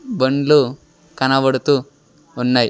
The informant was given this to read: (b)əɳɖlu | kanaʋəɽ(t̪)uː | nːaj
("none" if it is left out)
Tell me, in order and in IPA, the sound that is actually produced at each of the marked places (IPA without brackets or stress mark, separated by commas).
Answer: b, t̪